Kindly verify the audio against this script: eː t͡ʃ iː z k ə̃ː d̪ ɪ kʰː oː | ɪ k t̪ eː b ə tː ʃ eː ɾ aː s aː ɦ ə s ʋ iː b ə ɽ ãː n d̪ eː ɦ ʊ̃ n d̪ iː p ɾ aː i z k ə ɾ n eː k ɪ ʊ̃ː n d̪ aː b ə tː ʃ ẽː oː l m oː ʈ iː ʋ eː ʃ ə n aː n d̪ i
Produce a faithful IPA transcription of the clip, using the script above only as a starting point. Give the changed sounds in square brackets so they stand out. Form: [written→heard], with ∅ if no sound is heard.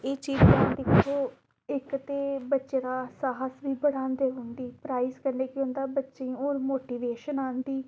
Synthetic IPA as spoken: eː t͡ʃ iː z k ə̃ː d̪ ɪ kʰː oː | ɪ k t̪ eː b ə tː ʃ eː ɾ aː s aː ɦ ə s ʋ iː b ə ɽ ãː n d̪ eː ɦ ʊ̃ n d̪ iː p ɾ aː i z k ə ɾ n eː k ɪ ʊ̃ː n d̪ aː b ə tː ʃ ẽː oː [l→ɾ] m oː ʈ iː ʋ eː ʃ ə n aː n d̪ [i→iː]